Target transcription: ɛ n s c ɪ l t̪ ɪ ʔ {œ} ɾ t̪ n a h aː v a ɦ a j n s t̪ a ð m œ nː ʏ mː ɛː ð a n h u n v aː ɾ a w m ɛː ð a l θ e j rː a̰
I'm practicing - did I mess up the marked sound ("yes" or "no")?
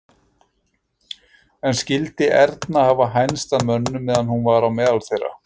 yes